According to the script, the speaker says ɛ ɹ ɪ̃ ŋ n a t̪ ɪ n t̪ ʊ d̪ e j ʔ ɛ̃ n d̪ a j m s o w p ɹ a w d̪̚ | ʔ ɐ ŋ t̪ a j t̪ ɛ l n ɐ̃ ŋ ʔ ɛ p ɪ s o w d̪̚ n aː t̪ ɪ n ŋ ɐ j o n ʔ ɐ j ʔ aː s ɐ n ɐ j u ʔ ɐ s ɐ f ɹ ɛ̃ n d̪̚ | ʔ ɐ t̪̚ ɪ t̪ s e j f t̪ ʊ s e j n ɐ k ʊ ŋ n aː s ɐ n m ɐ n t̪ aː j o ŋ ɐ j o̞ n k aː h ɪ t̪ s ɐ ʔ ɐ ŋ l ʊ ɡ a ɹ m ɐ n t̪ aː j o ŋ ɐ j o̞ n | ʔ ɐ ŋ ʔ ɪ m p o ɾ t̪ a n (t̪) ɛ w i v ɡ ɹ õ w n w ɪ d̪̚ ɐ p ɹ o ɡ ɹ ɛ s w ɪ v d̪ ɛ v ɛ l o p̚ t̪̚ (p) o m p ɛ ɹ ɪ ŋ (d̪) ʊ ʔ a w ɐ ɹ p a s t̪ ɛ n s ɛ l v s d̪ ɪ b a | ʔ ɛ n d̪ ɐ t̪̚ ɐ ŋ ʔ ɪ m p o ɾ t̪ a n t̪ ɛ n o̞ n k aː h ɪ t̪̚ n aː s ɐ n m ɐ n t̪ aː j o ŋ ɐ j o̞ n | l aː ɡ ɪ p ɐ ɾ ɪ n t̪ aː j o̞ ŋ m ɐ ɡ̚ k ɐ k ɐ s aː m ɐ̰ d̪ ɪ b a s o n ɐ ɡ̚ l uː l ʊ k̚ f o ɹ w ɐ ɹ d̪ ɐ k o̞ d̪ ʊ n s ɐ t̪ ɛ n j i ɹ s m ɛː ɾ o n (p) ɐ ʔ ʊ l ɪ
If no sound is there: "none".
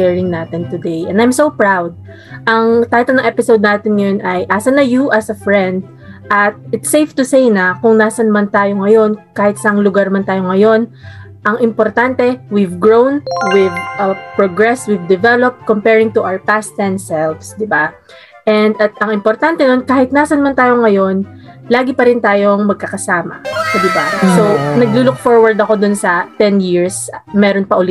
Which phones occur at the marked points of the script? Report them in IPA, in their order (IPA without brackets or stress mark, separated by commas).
t̪, k, t̪, p